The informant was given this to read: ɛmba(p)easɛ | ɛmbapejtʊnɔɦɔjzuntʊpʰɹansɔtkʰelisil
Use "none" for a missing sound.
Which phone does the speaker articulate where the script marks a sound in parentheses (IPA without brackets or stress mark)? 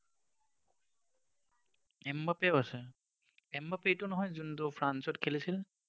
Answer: p